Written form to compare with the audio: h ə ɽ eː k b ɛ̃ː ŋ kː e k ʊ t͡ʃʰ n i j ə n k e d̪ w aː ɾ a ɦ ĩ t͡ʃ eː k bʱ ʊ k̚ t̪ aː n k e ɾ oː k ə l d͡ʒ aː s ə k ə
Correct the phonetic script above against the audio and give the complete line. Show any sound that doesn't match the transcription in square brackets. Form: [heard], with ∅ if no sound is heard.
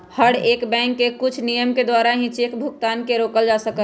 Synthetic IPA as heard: h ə ɽ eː k b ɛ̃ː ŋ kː e k ʊ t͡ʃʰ n i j ə [m] k e d̪ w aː ɾ a ɦ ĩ t͡ʃ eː k bʱ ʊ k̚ t̪ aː n k e ɾ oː k ə l d͡ʒ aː s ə k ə